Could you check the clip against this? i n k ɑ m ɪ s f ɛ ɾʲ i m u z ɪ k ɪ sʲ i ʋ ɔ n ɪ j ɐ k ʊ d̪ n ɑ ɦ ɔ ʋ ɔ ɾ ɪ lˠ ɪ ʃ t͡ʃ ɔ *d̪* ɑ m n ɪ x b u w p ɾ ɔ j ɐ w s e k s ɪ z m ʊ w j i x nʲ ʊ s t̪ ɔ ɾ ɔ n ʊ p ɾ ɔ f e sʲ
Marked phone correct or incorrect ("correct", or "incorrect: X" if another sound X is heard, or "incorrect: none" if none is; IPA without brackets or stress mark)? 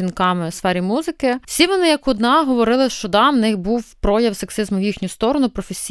correct